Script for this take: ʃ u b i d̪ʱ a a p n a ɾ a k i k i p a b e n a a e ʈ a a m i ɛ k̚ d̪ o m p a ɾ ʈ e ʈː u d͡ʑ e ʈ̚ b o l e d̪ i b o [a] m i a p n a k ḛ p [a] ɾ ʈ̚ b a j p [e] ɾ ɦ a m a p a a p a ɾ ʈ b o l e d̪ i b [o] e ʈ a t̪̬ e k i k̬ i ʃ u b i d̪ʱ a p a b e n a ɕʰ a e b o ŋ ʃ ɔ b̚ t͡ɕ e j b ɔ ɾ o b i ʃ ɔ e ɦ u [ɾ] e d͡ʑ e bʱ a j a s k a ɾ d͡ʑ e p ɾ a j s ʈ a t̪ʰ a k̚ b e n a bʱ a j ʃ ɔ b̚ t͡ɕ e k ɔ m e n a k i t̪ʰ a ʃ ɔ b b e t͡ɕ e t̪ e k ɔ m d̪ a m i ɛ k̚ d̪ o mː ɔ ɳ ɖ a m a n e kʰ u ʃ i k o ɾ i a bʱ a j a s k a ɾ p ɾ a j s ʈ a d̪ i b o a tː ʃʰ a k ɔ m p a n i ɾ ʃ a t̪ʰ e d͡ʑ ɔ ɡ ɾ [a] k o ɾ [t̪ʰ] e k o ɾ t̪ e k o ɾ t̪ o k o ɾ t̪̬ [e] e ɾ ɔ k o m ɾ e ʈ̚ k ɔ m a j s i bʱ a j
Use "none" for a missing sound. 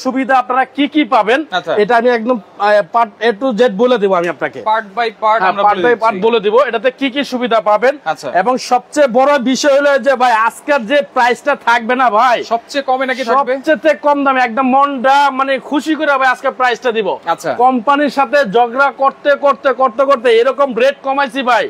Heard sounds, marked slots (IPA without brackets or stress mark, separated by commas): a, a, a, o, l, a, t̪, e